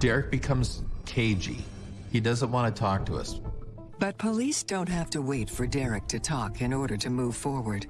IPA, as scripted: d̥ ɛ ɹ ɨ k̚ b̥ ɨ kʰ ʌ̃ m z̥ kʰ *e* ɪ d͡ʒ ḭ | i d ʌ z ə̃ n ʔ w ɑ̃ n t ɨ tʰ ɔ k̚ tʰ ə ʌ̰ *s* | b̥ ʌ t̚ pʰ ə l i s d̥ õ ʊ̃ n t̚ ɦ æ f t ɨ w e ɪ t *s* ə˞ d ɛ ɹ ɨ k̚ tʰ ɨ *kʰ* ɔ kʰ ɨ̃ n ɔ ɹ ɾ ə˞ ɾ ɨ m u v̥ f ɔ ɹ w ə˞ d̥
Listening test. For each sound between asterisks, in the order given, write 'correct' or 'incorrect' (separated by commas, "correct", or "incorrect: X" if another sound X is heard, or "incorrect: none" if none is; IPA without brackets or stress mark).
correct, correct, incorrect: f, incorrect: tʰ